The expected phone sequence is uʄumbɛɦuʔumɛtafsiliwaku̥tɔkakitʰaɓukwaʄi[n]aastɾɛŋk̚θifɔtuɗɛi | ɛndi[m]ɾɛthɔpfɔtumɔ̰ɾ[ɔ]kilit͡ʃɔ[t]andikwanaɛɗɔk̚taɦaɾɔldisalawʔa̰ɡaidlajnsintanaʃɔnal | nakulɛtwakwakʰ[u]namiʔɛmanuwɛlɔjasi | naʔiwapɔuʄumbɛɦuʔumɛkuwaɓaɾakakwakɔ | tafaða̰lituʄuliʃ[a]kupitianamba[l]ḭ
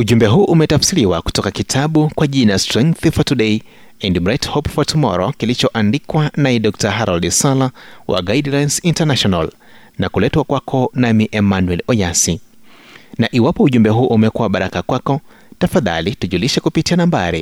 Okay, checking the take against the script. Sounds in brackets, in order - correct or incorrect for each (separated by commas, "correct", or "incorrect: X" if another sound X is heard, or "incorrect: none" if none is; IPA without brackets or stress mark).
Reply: correct, correct, correct, incorrect: ʔ, incorrect: ɔ, incorrect: ɛ, incorrect: ɾ